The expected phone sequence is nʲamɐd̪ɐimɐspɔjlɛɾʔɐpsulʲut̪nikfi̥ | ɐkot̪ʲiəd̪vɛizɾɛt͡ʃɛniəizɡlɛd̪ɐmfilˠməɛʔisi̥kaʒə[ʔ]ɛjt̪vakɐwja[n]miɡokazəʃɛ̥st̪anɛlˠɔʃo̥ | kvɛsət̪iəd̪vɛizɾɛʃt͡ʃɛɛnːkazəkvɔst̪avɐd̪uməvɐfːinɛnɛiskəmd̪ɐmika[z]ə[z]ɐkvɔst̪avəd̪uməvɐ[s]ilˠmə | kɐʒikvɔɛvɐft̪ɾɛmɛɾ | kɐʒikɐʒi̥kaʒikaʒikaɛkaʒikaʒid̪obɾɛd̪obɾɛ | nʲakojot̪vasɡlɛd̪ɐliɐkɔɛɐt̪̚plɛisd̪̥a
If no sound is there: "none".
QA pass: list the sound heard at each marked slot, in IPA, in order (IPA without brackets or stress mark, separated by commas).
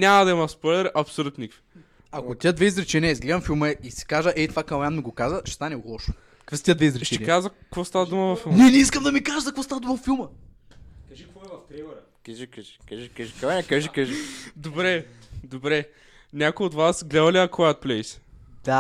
ʔ, n, ʒ, z, f